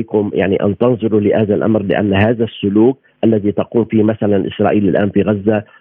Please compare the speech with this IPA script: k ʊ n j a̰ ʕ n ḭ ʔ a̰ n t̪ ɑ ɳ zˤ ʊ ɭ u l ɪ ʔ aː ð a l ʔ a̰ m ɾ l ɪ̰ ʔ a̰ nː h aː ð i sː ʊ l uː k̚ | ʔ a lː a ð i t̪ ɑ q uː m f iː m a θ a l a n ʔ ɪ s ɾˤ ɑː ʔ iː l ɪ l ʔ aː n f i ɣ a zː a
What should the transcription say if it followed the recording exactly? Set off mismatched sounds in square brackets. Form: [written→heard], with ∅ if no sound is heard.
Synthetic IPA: k ʊ [n→m] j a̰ ʕ n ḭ ʔ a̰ n t̪ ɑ [ɳ→n] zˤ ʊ [ɭ→ɾ] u l ɪ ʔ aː ð a l ʔ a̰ m ɾ l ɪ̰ ʔ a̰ nː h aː ð [i→a] sː ʊ l uː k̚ | ʔ a lː a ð i t̪ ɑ q uː m f iː m a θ a l a n ʔ ɪ s ɾˤ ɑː ʔ iː l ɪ l ʔ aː n f i ɣ a zː a